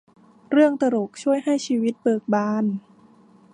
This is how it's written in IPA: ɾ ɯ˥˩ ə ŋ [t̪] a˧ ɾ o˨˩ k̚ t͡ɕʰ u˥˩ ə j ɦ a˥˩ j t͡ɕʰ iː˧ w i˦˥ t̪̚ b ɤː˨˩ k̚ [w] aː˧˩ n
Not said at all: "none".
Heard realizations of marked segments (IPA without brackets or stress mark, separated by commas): t̪, b